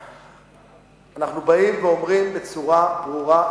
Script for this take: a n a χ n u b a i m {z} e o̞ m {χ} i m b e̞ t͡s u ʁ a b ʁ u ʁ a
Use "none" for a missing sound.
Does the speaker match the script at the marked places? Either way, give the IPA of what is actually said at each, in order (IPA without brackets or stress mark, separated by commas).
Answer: v, ʁ